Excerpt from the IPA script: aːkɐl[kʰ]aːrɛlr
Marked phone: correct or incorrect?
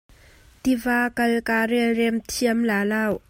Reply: incorrect: k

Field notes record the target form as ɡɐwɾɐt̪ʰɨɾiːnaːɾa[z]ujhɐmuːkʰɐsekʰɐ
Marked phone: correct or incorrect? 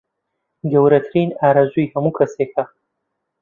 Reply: correct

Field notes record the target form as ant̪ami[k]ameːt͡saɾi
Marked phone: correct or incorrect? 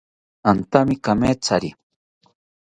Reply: correct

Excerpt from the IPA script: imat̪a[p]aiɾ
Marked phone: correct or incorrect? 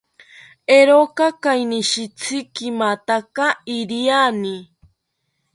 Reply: incorrect: k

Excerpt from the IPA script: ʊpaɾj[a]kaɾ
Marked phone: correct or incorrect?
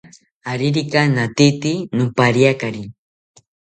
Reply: correct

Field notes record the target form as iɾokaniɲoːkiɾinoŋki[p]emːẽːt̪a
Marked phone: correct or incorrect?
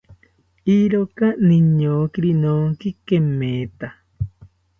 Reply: incorrect: k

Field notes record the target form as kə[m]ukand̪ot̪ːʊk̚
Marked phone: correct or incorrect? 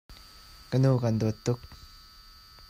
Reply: incorrect: n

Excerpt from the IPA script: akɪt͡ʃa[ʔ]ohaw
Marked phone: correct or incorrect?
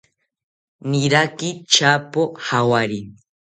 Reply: incorrect: p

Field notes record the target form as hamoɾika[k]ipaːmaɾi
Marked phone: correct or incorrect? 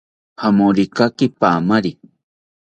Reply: correct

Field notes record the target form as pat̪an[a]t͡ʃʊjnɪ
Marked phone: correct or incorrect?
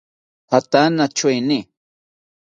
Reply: correct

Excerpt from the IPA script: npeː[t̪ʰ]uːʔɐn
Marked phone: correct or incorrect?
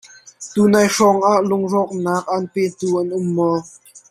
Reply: incorrect: t̪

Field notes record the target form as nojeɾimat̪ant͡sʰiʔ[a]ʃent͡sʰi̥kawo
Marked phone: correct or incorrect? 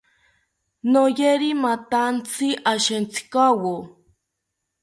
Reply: correct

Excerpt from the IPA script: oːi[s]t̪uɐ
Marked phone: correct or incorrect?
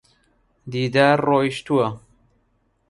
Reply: incorrect: ʃ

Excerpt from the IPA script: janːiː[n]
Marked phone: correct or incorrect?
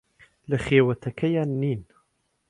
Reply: correct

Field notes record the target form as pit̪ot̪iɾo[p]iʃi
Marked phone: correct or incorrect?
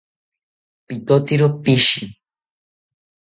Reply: correct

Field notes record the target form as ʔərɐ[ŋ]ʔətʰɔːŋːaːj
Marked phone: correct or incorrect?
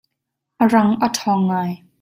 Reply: correct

